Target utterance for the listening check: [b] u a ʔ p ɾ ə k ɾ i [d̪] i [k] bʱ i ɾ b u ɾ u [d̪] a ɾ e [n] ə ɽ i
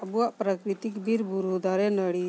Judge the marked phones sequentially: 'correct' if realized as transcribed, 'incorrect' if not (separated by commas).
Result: correct, incorrect, correct, correct, correct